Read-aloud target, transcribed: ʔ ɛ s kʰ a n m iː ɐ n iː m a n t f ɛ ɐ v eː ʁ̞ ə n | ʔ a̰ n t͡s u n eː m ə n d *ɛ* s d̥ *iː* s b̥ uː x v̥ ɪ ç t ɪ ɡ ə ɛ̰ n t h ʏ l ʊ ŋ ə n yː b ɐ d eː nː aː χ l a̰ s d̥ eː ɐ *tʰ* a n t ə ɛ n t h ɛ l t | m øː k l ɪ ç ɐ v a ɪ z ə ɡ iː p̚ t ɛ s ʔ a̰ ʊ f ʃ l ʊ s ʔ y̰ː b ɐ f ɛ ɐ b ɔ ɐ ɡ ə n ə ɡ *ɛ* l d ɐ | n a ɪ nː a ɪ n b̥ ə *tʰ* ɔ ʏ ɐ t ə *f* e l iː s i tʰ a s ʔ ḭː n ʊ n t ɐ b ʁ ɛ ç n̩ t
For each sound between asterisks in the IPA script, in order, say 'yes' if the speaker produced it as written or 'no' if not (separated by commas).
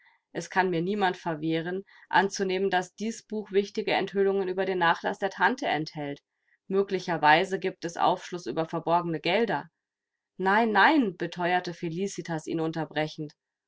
no, yes, yes, yes, yes, yes